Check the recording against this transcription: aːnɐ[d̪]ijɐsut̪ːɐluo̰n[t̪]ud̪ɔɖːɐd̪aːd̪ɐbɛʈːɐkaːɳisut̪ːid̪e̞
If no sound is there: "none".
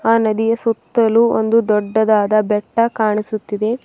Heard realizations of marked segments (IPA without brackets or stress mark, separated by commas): d̪, d̪